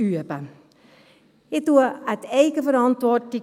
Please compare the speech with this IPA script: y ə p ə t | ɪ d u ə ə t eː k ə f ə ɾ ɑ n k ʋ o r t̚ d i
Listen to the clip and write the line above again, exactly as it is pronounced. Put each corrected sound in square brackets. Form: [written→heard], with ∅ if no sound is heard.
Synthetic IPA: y ə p ə [t→∅] | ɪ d u ə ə t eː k ə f ə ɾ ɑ n [k→t] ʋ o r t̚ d i